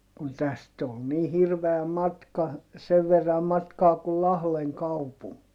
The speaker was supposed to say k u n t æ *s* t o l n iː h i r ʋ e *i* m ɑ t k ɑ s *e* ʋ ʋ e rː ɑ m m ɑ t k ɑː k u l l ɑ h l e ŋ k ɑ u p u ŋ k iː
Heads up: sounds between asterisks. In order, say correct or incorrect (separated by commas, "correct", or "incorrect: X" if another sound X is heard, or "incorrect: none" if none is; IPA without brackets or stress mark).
correct, incorrect: æ, correct